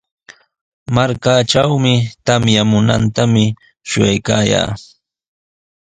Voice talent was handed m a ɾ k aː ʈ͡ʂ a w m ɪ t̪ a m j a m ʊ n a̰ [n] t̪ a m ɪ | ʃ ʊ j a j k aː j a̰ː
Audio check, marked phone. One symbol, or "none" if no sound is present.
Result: n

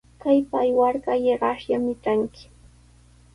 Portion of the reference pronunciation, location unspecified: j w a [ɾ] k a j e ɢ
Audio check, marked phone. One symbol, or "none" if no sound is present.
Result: ɾ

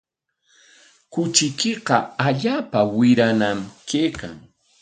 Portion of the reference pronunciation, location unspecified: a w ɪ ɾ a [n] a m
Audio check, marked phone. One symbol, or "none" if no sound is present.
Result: n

